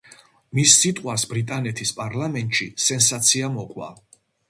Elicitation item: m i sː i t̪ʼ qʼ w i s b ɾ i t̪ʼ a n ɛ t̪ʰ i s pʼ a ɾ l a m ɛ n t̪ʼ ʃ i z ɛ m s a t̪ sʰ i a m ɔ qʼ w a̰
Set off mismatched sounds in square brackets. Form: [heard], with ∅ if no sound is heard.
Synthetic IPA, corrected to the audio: m i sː i t̪ʼ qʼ w [a] s b ɾ i t̪ʼ a n ɛ t̪ʰ i s pʼ a ɾ l a m ɛ n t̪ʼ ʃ i [s] ɛ [n] s a t̪ sʰ i a m ɔ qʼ w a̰